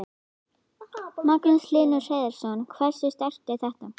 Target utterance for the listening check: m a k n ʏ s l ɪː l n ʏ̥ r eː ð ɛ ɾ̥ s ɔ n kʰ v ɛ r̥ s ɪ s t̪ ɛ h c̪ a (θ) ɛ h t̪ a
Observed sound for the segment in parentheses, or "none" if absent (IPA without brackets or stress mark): θ